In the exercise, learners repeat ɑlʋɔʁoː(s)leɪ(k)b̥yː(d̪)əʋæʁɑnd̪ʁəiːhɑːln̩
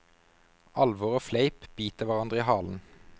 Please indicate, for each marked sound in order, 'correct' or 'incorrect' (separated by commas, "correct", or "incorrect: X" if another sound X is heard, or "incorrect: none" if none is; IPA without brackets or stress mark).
incorrect: f, incorrect: p, incorrect: t̪